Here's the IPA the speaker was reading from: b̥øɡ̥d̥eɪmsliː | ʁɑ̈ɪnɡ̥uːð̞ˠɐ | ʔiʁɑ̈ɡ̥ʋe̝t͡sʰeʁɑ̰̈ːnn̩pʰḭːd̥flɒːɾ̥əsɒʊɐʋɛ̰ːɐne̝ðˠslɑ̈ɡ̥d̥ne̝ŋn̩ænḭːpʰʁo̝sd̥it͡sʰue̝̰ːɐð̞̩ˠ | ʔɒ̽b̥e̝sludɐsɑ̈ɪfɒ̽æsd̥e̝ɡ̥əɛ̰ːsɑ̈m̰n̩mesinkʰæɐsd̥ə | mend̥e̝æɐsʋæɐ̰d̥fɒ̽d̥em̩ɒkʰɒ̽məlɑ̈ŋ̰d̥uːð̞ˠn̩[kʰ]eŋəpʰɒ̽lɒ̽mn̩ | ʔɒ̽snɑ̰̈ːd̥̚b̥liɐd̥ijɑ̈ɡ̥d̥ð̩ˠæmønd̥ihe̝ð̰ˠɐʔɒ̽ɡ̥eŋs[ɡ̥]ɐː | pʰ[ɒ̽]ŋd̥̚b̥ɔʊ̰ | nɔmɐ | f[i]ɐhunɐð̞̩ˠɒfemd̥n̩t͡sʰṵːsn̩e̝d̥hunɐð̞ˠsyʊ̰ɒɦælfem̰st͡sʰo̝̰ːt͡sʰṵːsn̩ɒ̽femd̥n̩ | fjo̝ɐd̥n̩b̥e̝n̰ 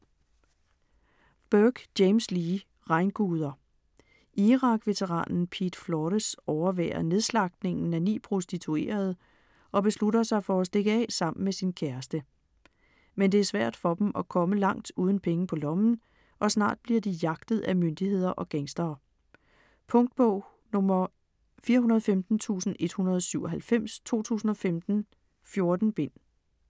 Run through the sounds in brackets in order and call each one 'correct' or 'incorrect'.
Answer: incorrect, incorrect, incorrect, incorrect

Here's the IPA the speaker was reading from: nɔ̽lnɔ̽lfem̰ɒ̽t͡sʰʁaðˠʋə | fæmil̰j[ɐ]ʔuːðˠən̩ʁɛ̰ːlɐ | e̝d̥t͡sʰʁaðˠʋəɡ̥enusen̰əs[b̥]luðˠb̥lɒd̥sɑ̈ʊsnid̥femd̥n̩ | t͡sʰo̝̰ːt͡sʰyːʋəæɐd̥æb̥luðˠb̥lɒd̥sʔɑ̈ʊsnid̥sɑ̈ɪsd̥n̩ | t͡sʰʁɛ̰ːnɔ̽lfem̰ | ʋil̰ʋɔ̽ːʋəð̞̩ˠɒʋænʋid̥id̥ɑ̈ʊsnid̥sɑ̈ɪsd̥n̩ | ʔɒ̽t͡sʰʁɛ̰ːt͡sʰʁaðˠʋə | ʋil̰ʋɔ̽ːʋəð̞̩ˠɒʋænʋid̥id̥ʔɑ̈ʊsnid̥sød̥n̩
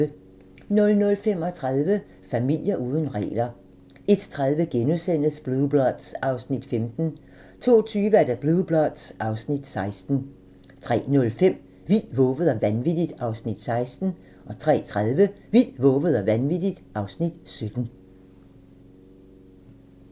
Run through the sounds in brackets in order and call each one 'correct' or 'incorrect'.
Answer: correct, correct

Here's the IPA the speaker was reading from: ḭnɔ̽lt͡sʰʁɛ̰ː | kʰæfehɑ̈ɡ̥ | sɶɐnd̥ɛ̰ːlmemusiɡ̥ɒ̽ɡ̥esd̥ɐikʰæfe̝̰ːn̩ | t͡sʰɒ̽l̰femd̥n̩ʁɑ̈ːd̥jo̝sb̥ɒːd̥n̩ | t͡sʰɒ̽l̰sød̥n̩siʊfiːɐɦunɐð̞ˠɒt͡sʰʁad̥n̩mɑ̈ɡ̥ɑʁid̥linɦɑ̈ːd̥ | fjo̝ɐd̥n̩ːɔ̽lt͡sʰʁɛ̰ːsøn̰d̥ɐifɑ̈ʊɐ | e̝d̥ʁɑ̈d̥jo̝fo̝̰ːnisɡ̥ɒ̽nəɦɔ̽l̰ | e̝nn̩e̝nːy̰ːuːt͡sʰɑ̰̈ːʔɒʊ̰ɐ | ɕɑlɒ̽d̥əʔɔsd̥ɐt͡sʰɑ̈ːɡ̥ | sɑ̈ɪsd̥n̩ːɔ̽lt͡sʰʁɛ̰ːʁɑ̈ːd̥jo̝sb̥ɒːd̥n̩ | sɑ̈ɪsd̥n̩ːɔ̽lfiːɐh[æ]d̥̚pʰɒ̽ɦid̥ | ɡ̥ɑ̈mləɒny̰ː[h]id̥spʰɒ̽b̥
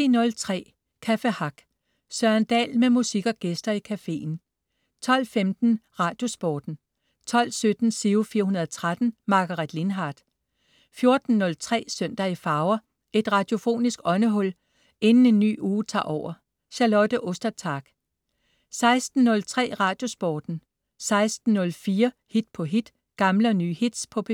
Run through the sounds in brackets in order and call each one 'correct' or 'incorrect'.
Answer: incorrect, correct

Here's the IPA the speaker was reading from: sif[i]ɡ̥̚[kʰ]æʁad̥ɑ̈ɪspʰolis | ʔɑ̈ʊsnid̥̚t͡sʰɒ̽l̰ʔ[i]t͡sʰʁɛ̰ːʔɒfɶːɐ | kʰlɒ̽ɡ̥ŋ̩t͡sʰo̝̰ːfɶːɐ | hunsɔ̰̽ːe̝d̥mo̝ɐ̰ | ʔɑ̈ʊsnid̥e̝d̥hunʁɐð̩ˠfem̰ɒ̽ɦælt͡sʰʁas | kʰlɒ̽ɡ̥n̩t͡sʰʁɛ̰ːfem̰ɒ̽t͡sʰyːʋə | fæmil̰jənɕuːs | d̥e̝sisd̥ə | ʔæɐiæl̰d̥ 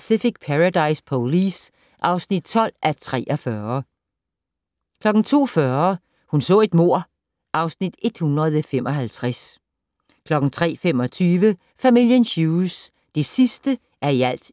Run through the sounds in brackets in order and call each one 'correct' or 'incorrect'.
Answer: correct, incorrect, incorrect

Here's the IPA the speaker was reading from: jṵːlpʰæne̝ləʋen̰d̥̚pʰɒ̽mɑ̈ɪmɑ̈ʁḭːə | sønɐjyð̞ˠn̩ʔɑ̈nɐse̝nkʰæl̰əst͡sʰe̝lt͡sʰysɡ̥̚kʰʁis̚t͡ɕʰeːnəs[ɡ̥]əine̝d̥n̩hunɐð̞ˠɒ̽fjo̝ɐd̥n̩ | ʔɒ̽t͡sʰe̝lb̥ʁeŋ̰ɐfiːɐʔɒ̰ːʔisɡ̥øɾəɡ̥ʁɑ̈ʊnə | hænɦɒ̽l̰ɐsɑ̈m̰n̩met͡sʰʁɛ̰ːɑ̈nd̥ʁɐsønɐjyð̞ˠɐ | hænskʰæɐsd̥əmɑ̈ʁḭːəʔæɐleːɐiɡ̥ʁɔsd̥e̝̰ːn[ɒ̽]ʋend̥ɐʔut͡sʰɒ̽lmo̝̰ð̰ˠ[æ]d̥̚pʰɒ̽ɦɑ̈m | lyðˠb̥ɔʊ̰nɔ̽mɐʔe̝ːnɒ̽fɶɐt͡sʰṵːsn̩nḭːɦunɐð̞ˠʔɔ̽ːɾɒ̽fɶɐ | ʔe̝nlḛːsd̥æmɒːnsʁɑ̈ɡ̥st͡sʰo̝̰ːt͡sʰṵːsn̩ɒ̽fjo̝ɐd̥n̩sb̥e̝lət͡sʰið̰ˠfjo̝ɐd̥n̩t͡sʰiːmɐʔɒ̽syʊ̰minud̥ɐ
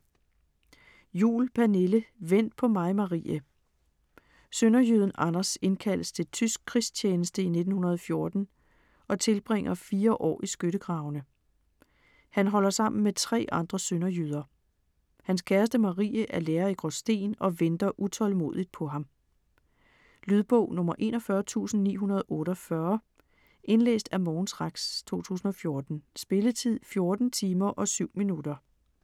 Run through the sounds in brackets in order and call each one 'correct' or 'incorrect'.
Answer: incorrect, correct, incorrect

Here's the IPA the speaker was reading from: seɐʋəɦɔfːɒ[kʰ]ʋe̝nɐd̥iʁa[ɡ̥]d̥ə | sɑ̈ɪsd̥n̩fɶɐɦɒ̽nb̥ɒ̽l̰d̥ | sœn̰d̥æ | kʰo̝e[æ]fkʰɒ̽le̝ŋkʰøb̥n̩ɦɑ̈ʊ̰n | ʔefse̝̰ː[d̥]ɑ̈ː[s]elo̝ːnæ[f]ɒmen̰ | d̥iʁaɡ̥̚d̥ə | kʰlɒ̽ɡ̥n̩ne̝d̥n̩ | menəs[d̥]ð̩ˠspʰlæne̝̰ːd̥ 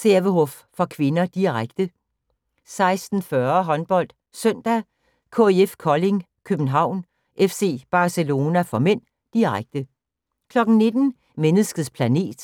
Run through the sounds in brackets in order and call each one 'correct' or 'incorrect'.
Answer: correct, correct, incorrect, incorrect, correct, correct, incorrect

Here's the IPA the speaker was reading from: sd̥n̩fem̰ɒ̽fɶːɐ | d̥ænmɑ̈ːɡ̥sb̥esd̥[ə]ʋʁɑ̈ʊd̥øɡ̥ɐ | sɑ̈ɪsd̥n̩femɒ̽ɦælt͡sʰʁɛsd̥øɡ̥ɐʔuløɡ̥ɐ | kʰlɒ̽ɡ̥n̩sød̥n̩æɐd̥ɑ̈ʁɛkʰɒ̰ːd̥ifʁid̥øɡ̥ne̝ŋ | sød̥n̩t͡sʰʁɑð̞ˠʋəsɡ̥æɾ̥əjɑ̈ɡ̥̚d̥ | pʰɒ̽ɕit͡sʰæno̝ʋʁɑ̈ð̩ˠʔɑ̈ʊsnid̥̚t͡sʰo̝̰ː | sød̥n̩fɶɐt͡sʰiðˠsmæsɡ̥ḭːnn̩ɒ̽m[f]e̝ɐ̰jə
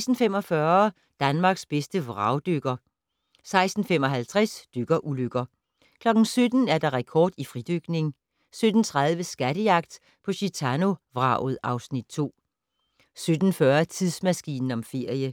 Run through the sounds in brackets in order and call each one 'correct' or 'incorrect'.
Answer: correct, correct

